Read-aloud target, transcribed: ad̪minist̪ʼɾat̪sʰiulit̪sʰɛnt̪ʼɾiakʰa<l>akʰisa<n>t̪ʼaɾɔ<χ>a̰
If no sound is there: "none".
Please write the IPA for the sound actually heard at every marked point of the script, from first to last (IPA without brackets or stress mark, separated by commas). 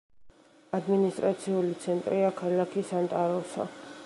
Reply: l, n, s